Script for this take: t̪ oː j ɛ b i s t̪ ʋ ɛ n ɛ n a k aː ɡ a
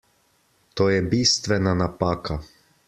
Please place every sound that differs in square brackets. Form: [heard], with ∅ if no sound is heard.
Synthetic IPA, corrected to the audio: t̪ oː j ɛ b i s t̪ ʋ ɛ n [a] n a [p] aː [k] a